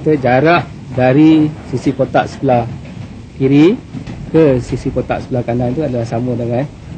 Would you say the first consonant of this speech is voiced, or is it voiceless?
voiceless